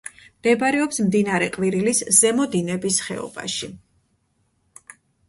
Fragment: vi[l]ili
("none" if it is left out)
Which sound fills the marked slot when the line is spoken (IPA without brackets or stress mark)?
ɾ